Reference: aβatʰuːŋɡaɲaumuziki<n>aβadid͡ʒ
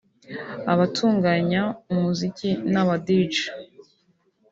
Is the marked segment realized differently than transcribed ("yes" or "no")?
no